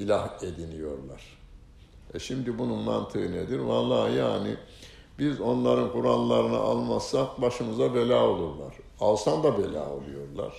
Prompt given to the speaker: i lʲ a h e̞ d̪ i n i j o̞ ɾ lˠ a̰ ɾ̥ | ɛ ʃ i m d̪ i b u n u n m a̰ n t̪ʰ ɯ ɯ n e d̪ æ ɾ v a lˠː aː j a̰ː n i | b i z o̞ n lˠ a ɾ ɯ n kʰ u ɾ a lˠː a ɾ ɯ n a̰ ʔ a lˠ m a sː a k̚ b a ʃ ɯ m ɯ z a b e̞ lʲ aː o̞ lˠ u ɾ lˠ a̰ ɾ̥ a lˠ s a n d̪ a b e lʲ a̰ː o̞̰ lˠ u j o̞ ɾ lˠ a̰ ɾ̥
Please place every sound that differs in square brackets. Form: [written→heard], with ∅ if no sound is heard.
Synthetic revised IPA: i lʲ a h e̞ d̪ i n i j o̞ ɾ lˠ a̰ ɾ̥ | ɛ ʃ i m d̪ i b u n u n m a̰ n t̪ʰ ɯ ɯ n e d̪ [æ→i] ɾ v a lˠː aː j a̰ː n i | b i z o̞ n lˠ a ɾ ɯ n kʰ u ɾ a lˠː a ɾ ɯ n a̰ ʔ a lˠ m a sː a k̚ b a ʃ ɯ m ɯ z a b e̞ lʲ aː o̞ lˠ u ɾ lˠ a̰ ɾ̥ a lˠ s a n d̪ a b e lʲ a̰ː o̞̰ lˠ u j o̞ ɾ lˠ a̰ ɾ̥